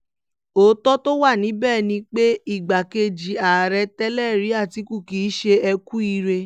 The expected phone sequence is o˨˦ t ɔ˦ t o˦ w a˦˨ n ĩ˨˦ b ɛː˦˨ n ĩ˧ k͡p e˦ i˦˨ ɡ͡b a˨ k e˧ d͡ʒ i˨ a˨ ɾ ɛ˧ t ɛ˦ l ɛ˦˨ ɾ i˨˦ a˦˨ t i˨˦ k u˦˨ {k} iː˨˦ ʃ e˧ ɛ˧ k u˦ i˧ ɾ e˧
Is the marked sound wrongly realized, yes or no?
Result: no